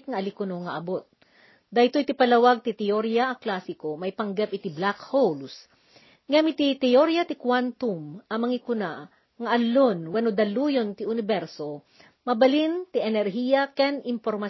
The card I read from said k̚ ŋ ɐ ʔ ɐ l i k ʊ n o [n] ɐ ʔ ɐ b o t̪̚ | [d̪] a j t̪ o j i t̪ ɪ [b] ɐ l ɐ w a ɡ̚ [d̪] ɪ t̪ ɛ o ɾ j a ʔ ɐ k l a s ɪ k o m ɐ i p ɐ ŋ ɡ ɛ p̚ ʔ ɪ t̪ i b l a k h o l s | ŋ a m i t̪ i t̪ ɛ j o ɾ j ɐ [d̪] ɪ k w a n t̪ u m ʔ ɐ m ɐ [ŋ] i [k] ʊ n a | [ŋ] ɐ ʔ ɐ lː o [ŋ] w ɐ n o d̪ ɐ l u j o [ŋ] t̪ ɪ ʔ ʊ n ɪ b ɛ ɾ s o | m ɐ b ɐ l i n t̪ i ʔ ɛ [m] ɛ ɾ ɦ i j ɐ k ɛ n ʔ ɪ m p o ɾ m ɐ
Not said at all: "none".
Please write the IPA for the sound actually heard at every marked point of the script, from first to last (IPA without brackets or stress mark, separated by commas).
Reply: ŋ, d̪, p, t̪, t̪, ŋ, k, ŋ, n, n, n